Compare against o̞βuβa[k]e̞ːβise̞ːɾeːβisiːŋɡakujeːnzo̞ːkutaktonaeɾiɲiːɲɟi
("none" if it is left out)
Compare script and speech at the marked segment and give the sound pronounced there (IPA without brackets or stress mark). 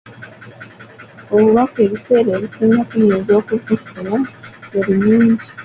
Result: k